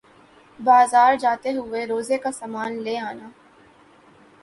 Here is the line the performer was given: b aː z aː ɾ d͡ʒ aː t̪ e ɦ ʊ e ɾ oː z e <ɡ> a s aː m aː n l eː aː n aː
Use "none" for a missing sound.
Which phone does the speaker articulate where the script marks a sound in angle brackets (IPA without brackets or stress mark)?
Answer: k